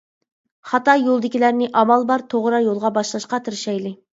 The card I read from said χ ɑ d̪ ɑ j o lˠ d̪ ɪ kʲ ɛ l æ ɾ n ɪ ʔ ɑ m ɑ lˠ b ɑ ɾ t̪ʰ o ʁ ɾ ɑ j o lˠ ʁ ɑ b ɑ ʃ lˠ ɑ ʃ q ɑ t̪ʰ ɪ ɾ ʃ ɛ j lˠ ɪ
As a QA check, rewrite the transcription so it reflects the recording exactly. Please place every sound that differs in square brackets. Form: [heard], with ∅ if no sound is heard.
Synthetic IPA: χ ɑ [t̪] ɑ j o lˠ d̪ ɪ kʲ [i] l æ ɾ n ɪ ʔ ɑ m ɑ lˠ b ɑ ɾ t̪ʰ o ʁ ɾ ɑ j o lˠ ʁ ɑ b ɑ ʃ lˠ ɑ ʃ q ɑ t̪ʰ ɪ ɾ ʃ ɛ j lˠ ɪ